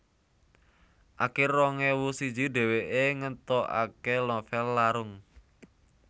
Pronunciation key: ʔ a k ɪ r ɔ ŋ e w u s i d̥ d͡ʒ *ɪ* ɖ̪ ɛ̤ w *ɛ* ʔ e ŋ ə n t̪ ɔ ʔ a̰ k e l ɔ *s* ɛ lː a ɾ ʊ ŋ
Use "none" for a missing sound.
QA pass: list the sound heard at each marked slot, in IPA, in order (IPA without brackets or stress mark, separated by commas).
i, e, f